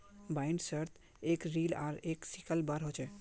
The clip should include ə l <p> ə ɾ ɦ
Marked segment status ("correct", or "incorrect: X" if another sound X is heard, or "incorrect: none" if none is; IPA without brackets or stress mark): incorrect: b